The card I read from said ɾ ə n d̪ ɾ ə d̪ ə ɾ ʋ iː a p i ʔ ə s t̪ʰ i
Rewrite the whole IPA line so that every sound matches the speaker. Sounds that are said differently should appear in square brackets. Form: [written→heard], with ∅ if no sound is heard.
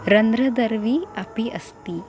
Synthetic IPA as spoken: ɾ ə n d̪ ɾ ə d̪ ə ɾ ʋ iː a p i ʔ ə s [t̪ʰ→t̪] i